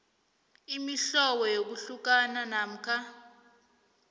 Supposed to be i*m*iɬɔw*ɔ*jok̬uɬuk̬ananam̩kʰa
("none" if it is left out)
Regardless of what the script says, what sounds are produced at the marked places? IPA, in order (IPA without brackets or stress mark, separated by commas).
m, ɔ